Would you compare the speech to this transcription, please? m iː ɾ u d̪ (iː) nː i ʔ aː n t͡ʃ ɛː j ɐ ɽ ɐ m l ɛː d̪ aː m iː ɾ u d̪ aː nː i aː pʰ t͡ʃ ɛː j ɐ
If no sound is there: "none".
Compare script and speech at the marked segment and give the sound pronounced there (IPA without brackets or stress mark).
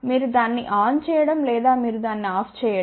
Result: aː